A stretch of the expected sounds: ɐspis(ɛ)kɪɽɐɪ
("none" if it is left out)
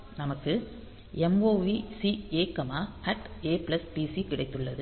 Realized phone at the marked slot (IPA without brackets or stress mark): i